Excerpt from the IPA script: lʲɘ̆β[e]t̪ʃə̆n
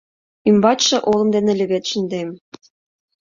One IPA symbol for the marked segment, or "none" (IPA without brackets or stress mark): e